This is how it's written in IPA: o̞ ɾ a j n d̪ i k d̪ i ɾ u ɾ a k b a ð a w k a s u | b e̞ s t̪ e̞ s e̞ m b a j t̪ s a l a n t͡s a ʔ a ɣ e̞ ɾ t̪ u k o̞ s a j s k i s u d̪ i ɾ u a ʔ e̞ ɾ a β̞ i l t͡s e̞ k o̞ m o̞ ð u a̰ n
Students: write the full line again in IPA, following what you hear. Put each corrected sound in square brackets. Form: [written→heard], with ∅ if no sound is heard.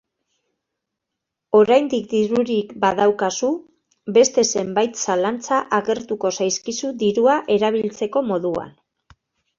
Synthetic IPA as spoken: o̞ ɾ a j n d̪ i k d̪ i ɾ u ɾ [a→i] k b a ð a w k a s u | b e̞ s t̪ e̞ s e̞ m b a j t̪ s a l a n t͡s a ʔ a ɣ e̞ ɾ t̪ u k o̞ s a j s k i s u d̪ i ɾ u a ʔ e̞ ɾ a β̞ i l t͡s e̞ k o̞ m o̞ ð u a̰ n